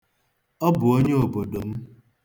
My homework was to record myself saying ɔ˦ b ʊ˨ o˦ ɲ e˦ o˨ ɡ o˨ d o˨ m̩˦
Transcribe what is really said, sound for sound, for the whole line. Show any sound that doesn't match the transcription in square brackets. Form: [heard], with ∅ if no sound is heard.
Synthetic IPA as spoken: ɔ˦ b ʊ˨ o˦ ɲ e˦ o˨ [b] o˨ d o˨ m̩˦